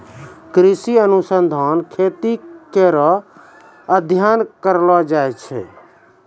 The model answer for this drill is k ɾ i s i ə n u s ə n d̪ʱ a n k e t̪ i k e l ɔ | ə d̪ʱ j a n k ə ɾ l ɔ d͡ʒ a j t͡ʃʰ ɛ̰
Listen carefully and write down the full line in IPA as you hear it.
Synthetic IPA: k ɾ i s i ə n u s ə n d̪ʱ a n kʰ e t̪ i k e ɾ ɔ | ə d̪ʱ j a n k ə ɾ l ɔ d͡ʒ a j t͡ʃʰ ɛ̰